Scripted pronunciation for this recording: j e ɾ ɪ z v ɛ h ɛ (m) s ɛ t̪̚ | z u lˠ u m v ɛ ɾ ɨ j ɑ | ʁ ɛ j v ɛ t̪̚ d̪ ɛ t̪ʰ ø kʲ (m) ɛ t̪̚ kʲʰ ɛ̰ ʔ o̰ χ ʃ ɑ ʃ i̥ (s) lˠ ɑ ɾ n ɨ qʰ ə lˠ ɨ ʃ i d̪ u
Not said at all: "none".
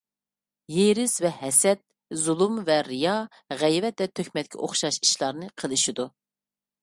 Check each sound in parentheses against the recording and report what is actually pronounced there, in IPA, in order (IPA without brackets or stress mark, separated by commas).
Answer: none, m, ʃ